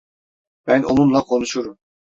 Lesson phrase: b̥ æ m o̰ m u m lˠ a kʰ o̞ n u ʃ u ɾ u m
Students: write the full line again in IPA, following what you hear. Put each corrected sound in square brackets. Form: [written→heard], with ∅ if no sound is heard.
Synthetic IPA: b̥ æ [m→n] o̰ [m→n] u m lˠ a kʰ o̞ n u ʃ u ɾ u m